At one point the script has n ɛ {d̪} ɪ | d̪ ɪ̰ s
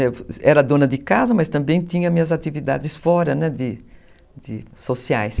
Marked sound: correct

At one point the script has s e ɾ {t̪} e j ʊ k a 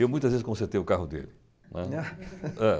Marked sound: correct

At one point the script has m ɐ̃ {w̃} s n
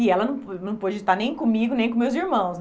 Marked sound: correct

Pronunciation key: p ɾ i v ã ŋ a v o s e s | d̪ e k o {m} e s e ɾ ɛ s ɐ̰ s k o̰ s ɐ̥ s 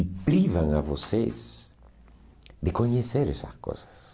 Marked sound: incorrect: ɲ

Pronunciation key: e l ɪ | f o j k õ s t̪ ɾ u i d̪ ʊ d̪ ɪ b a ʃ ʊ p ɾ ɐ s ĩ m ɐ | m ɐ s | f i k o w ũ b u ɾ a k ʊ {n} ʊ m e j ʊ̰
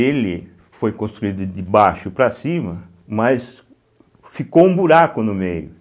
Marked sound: correct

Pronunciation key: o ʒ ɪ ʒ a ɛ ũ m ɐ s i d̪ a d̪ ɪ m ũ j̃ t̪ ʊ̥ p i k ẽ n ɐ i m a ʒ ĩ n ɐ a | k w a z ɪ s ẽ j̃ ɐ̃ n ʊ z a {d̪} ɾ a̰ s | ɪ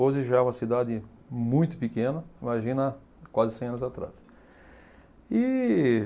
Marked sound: incorrect: t̪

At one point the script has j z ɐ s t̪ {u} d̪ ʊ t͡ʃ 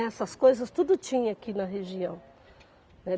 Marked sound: correct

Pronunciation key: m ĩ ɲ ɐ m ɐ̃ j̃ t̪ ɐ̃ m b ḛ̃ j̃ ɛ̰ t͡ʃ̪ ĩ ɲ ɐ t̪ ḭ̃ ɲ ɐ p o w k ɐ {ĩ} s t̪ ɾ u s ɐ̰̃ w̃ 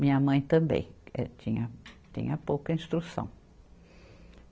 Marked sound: correct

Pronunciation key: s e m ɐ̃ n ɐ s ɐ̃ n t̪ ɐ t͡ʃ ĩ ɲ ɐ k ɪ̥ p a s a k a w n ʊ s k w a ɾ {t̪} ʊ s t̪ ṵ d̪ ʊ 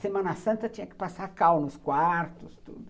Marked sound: correct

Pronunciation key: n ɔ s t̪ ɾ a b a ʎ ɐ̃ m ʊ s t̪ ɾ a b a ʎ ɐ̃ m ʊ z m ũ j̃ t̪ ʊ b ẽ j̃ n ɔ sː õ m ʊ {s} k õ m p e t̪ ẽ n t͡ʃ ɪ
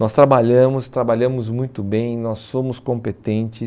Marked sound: correct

